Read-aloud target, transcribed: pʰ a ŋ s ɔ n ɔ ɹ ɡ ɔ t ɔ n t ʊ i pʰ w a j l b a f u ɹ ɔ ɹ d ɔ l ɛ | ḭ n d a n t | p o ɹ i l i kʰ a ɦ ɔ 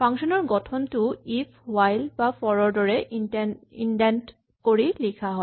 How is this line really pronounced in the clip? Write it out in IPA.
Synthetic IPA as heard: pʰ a ŋ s ɔ n ɔ ɹ ɡ ɔ tʰ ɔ n t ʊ i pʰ w a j l b a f ɔ ɹ ɔ ɹ d ɔ ɹ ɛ | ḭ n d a n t | k o ɹ i l i kʰ a ɦ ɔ